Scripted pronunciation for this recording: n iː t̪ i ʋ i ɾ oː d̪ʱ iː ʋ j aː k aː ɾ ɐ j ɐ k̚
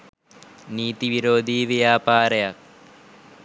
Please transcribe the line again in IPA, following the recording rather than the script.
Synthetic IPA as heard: n iː t̪ i ʋ i ɾ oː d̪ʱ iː ʋ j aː p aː ɾ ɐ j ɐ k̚